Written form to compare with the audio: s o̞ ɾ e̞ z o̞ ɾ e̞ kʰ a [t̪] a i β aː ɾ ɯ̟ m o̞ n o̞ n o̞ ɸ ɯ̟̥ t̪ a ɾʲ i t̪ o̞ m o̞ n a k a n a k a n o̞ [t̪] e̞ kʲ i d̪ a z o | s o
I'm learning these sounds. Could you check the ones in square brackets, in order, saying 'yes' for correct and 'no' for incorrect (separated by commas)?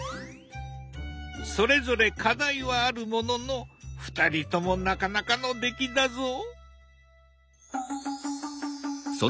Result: no, no